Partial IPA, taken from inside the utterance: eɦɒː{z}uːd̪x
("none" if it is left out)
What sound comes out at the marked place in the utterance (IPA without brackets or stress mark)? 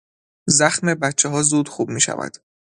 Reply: z